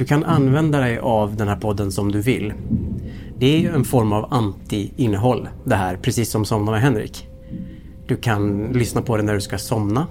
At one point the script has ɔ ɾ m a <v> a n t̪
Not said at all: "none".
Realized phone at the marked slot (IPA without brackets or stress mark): v